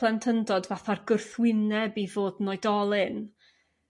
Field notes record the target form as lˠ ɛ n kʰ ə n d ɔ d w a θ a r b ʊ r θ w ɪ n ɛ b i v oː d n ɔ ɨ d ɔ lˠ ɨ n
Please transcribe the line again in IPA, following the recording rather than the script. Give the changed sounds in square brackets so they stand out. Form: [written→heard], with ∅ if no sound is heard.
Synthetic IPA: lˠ ɛ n [kʰ→tʰ] ə n d ɔ d [w→v] a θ a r [b→ɡ] ʊ r θ w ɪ n ɛ b i v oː d n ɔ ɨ d ɔ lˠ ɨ n